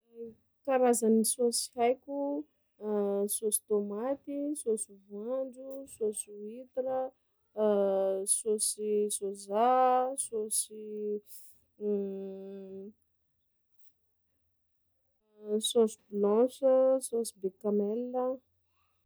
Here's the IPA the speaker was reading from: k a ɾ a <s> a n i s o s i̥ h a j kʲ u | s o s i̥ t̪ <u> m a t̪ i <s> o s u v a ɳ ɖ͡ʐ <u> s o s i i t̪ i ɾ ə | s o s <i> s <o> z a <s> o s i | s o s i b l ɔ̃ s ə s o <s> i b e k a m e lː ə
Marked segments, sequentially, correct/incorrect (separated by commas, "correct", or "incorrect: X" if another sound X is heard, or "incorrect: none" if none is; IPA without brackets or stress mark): incorrect: z, incorrect: o, correct, correct, correct, correct, correct, correct